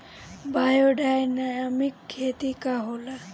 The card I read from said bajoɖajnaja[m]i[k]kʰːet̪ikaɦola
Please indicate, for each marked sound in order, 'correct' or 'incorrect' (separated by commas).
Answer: correct, correct